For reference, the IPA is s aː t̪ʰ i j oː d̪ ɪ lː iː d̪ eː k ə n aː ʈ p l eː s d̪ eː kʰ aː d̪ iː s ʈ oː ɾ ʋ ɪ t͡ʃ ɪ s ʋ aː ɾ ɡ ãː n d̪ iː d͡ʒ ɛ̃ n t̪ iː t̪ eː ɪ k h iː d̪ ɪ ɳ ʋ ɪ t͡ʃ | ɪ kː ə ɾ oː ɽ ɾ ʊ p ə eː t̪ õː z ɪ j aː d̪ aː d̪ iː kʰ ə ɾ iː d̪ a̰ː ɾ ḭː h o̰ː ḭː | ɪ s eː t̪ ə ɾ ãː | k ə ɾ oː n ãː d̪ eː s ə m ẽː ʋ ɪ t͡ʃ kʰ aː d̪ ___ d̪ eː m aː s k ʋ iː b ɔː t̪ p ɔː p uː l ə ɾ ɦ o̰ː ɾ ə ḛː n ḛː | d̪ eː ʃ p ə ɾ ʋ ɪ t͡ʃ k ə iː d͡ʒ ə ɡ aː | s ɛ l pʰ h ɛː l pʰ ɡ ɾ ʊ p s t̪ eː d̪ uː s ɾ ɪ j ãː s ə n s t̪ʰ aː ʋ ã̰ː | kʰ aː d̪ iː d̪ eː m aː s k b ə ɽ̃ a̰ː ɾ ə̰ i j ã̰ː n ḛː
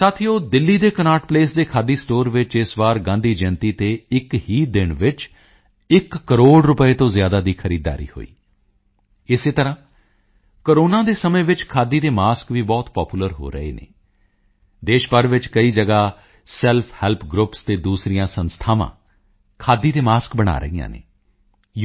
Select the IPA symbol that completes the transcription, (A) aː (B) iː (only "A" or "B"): B